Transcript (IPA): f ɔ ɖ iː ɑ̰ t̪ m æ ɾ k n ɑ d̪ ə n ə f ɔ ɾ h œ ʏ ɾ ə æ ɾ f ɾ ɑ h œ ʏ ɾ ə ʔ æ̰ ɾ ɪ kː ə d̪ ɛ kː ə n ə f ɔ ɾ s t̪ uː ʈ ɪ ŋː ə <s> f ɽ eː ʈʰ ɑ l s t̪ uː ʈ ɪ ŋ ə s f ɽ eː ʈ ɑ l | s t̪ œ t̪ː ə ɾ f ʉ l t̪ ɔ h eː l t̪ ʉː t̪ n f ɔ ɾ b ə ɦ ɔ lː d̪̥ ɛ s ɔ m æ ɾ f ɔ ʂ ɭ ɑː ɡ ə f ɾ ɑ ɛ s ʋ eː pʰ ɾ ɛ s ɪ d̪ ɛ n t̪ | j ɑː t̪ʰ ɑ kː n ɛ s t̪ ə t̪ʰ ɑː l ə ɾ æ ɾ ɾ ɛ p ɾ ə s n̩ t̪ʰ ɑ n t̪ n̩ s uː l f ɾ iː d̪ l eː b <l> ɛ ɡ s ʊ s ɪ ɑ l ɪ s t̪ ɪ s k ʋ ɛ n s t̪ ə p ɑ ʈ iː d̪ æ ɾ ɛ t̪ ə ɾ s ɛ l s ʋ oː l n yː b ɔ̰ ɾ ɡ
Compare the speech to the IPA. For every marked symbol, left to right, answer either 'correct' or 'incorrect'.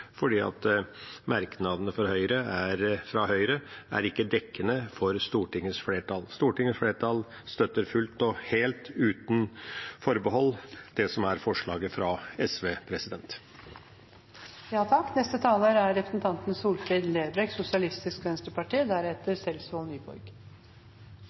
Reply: correct, incorrect: ɾ

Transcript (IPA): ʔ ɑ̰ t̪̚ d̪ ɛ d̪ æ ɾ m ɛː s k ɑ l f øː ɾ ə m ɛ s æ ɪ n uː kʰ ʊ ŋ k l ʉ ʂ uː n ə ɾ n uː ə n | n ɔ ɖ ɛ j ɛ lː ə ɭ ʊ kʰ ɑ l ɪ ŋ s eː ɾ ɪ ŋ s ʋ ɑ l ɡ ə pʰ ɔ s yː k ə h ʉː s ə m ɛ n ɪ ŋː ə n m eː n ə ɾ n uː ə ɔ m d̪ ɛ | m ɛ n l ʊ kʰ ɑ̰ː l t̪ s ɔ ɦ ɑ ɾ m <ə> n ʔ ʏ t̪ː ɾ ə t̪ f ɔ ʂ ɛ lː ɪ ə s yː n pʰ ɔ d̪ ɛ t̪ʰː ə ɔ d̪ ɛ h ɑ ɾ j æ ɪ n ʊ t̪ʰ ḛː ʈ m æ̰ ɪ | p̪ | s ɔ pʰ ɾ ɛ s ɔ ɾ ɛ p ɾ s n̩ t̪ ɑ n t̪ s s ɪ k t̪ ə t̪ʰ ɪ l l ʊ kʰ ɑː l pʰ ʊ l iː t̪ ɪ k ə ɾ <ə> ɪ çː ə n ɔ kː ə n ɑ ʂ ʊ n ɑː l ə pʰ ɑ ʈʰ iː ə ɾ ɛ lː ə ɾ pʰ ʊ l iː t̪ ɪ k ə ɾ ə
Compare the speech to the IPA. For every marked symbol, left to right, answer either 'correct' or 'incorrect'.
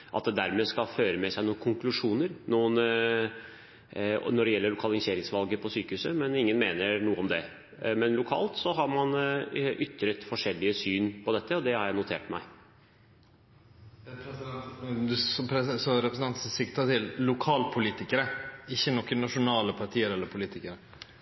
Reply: incorrect: ɑ, correct

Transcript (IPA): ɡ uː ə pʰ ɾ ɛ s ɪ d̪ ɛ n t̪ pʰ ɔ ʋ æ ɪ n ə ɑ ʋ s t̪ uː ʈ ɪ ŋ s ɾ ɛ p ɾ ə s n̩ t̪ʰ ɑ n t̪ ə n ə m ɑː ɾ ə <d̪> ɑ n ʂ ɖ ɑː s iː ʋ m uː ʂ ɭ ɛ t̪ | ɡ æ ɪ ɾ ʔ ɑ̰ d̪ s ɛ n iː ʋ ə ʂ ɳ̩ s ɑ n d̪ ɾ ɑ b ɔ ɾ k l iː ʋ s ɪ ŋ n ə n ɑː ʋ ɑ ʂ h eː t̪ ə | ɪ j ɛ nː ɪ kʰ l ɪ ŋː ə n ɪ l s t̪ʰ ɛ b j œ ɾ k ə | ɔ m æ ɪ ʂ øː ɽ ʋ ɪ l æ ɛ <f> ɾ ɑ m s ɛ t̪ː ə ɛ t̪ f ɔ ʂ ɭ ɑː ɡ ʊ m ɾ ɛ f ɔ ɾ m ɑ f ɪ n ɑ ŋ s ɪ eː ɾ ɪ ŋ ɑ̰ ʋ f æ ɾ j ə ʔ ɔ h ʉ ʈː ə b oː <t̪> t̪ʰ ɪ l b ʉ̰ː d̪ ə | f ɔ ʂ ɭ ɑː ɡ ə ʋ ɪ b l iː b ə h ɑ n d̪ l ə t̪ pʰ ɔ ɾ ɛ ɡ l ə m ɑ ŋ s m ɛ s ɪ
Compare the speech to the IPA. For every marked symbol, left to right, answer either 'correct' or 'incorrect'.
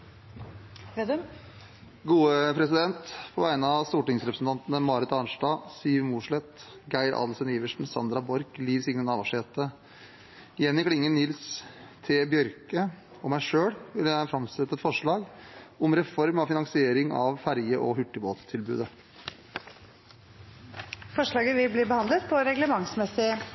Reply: incorrect: t̪, correct, correct

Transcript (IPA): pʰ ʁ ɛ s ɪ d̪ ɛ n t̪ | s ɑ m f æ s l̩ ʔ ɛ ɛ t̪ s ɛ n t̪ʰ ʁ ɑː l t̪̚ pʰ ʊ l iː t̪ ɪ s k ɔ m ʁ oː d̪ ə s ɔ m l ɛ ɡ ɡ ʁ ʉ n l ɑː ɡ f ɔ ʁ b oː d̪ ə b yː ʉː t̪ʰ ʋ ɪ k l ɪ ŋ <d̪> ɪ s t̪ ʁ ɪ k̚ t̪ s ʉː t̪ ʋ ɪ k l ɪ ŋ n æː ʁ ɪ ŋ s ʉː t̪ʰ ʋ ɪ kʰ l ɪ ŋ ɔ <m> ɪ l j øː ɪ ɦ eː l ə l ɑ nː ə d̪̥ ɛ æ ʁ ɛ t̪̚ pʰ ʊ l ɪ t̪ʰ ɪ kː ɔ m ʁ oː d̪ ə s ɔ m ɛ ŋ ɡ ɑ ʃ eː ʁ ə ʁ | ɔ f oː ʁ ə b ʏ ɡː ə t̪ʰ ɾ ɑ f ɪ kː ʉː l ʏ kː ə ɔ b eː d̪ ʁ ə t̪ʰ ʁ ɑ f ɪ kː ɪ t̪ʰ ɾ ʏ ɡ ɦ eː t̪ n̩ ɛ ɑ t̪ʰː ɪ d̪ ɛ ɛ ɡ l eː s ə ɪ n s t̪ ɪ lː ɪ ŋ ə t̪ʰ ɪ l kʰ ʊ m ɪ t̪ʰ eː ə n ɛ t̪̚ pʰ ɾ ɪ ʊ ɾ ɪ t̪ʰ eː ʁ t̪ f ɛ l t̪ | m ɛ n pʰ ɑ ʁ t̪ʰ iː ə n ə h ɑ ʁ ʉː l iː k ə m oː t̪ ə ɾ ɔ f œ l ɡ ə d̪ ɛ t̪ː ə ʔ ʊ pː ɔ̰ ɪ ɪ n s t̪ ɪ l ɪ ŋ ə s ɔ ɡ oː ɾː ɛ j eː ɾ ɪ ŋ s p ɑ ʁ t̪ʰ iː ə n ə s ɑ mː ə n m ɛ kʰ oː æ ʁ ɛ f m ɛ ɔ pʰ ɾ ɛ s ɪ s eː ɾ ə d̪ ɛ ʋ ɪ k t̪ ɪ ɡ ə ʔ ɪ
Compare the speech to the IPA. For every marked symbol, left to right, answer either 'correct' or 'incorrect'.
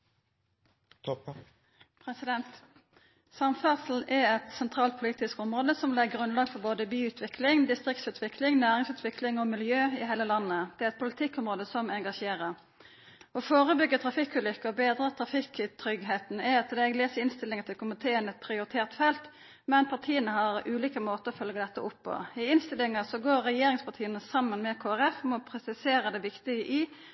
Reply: correct, correct

